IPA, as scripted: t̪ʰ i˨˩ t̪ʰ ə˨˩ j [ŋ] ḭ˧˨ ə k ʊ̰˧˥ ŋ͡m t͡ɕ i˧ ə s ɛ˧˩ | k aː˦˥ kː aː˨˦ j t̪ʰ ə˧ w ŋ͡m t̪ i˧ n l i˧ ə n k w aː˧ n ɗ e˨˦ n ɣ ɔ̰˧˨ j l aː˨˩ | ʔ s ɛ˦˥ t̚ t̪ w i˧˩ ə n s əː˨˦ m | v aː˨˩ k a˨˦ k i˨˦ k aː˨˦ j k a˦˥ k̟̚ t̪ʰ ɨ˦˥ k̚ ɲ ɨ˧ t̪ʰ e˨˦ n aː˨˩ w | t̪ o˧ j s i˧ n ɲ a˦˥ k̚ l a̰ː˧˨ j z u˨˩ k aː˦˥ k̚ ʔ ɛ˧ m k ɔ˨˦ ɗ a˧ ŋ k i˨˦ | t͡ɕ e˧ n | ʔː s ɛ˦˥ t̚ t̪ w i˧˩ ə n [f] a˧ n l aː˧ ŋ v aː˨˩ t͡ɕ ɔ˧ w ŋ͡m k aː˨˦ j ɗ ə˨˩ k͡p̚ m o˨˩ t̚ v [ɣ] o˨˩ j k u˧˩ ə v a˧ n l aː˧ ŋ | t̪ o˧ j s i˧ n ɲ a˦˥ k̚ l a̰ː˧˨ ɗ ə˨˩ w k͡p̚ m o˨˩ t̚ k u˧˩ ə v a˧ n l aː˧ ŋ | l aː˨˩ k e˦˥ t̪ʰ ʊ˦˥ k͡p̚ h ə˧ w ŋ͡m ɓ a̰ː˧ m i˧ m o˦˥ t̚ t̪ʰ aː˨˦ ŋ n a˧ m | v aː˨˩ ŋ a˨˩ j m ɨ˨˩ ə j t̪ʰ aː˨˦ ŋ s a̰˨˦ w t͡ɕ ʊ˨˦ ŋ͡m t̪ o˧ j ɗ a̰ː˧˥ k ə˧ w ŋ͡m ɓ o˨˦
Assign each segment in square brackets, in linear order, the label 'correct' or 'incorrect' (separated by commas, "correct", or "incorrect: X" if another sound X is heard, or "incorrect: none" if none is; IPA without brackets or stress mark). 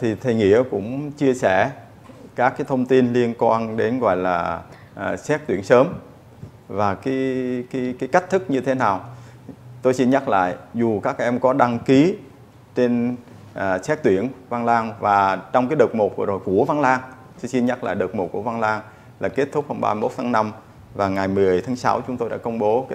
correct, incorrect: v, incorrect: z